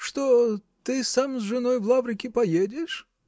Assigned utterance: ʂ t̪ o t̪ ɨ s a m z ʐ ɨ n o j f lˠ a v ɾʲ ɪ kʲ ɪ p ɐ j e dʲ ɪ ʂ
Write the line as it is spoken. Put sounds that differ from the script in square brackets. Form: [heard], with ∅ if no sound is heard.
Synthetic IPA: ʂ t̪ o t̪ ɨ s a m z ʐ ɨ n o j [v] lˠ a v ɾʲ ɪ kʲ ɪ p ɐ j e dʲ ɪ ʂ